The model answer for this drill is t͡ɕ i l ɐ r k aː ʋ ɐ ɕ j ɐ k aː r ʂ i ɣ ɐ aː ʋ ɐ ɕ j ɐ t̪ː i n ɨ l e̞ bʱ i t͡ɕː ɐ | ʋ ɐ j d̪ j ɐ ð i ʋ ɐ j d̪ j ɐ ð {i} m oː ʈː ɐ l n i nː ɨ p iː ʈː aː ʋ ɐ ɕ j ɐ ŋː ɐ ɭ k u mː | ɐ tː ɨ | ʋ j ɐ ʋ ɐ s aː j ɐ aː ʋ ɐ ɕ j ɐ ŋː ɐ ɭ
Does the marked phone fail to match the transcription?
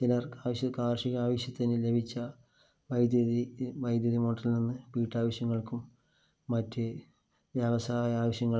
no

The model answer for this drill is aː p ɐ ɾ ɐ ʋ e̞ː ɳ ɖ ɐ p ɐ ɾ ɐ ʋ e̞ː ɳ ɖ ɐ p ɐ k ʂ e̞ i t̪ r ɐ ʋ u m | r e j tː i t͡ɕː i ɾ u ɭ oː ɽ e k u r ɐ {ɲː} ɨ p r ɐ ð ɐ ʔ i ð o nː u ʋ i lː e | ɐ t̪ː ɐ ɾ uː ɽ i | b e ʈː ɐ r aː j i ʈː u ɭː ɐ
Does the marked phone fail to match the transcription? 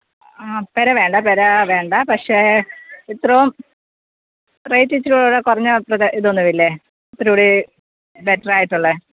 no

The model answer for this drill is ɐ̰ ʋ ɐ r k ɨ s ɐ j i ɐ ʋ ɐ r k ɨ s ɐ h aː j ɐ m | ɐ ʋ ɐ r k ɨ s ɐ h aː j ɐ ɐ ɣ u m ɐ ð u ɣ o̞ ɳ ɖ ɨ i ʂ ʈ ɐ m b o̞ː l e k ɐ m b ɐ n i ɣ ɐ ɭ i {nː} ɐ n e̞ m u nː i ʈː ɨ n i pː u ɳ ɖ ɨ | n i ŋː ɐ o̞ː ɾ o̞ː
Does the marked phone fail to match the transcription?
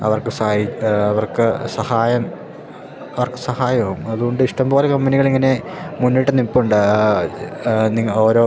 yes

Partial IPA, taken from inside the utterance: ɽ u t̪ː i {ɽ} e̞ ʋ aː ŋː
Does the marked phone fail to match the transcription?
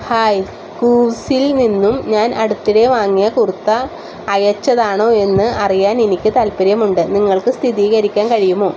no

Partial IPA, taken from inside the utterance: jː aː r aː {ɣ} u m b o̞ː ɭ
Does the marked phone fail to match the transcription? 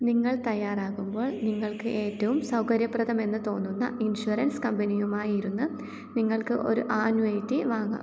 no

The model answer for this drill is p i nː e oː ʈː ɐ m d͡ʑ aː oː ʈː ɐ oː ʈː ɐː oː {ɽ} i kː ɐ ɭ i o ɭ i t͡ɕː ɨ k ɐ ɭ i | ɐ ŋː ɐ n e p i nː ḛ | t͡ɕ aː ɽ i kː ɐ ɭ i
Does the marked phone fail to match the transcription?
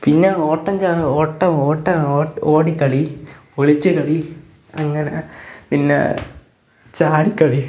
no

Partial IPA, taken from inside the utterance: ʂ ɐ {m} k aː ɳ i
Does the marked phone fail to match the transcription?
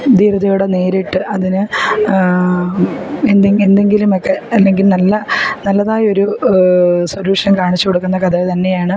yes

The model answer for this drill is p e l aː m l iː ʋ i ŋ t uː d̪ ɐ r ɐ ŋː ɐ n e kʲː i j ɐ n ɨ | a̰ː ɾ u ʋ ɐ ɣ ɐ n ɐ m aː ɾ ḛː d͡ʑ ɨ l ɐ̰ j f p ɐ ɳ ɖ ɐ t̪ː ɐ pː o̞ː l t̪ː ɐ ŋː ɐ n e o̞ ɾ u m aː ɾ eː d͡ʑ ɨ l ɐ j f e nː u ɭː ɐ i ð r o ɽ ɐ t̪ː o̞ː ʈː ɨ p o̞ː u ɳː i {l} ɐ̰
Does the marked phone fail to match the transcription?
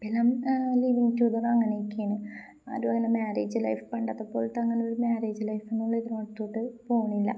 yes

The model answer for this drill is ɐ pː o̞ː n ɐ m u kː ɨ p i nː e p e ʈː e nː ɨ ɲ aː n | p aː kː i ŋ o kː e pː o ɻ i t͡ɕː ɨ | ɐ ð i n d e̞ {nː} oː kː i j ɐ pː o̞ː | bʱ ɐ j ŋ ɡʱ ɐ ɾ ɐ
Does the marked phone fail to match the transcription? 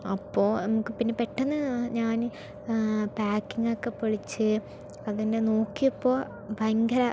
yes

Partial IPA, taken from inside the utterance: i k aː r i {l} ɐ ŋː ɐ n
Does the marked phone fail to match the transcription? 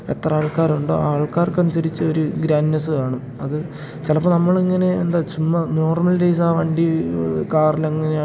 no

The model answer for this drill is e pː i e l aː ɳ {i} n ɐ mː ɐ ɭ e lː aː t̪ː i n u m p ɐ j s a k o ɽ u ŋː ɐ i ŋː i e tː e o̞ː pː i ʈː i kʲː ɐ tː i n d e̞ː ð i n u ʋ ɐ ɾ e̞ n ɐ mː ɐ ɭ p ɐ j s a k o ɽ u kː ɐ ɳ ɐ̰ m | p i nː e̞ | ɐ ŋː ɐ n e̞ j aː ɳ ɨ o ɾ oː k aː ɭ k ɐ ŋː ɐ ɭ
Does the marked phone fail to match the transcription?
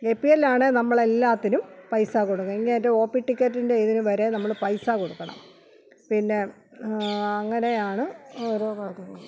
yes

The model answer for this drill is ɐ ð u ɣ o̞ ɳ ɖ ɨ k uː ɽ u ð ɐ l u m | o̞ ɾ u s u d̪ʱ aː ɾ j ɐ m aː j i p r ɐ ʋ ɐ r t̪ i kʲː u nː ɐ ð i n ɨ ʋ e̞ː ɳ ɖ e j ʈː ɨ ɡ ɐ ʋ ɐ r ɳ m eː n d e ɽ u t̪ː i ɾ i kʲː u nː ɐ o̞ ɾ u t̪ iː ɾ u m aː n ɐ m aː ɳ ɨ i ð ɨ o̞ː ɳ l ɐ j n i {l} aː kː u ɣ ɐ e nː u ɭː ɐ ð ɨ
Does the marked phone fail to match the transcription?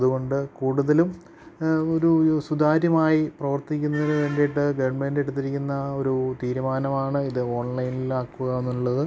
no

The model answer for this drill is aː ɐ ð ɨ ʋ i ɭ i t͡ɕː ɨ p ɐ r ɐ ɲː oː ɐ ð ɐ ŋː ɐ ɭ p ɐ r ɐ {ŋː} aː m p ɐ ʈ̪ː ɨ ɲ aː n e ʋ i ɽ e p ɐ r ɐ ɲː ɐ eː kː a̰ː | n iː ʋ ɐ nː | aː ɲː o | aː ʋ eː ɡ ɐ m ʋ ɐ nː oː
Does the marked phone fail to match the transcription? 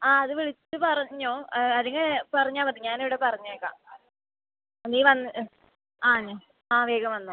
yes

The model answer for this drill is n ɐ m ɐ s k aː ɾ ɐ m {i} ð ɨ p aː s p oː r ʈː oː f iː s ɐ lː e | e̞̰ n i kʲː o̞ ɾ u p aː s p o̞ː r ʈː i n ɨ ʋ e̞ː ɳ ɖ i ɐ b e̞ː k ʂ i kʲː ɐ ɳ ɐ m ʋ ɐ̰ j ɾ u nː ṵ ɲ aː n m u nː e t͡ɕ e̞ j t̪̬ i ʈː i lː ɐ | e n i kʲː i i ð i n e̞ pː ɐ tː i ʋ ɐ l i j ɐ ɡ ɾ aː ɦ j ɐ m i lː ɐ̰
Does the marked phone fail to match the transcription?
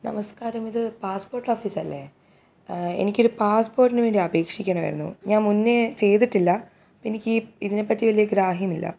no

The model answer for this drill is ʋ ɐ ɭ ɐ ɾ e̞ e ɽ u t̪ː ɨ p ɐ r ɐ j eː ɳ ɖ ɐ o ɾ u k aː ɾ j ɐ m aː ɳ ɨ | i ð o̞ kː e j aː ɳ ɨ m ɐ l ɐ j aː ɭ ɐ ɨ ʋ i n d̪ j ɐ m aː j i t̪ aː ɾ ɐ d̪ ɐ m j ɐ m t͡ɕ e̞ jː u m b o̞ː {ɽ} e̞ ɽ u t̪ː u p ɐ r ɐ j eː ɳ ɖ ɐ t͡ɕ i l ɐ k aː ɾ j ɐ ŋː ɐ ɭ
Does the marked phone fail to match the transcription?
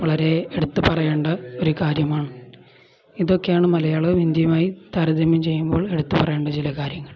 yes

